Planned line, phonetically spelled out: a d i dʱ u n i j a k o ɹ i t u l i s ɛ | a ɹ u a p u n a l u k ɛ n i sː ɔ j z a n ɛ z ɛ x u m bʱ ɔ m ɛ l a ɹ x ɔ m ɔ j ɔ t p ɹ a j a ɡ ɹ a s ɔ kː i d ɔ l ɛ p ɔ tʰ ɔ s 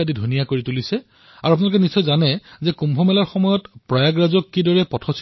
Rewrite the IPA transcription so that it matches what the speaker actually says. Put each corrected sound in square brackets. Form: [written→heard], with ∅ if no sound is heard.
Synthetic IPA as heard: a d i dʱ u n i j a k o ɹ i t u l i s ɛ | a ɹ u a p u n a l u k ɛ n i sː ɔ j z a n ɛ z ɛ [x→k] u m bʱ ɔ m ɛ l a ɹ x ɔ m ɔ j ɔ t p ɹ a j a ɡ ɹ a [s→z] ɔ kː i d ɔ [l→ɹ] ɛ p ɔ tʰ ɔ s